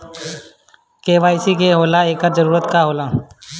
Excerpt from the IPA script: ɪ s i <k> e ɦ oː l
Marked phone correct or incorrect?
correct